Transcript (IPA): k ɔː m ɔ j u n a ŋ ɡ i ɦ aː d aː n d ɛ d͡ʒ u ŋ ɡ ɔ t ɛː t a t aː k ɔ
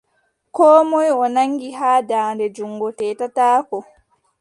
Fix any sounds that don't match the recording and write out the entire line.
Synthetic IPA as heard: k ɔː m ɔ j ɔ n a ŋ ɡ i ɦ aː d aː n d ɛ d͡ʒ u ŋ ɡ ɔ t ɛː t a t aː k ɔ